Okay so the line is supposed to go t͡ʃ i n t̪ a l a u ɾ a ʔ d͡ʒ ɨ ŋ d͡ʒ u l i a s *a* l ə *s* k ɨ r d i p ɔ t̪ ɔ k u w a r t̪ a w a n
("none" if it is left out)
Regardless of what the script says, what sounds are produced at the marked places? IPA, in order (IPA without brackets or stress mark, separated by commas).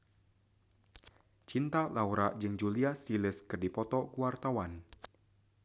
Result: i, s